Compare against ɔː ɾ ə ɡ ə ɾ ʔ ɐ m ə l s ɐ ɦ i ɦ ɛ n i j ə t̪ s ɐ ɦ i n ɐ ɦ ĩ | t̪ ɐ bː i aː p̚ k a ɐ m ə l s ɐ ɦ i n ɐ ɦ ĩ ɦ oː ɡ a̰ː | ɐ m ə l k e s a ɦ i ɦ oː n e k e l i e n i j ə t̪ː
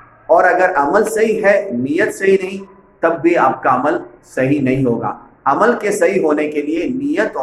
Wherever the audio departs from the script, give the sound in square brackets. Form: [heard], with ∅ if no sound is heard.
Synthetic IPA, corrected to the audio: ɔː ɾ [ɐ] ɡ ə ɾ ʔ ɐ m ə l s ɐ ɦ i ɦ ɛ n i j ə t̪ s ɐ ɦ i n ɐ ɦ ĩ | t̪ ɐ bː i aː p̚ k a ɐ m ə l s ɐ ɦ i n ɐ ɦ ĩ ɦ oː ɡ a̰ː | ɐ m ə l k e s [ɐ] ɦ i ɦ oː n e k e l i e n i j ə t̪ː